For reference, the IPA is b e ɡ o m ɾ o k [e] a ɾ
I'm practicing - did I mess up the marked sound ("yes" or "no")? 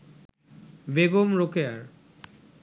no